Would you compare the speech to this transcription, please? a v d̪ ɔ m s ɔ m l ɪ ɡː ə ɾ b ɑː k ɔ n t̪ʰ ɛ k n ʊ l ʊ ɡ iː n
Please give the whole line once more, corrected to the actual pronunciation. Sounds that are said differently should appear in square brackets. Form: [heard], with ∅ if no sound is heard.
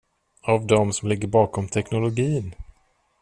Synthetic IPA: a v d̪ ɔ m s ɔ m l ɪ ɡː ə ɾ b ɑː k ɔ [m] t̪ʰ ɛ k n ʊ l ʊ ɡ iː n